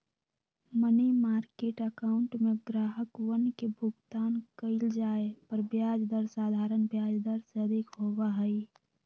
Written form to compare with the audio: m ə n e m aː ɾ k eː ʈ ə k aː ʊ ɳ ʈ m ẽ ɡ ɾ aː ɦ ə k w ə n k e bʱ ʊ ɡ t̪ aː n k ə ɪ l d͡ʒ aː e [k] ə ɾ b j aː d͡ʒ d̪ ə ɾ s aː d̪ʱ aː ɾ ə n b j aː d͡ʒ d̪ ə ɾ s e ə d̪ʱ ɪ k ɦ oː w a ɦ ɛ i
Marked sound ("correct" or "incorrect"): incorrect